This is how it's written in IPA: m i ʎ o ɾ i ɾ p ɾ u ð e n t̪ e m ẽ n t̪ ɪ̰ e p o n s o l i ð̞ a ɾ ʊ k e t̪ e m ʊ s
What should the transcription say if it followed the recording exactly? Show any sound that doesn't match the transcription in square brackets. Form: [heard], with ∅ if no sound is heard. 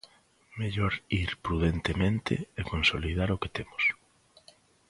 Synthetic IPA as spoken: m [e] ʎ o ɾ i ɾ p ɾ u ð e n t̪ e m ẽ n t̪ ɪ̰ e [k] o n s o l i ð̞ a ɾ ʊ k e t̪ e m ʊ s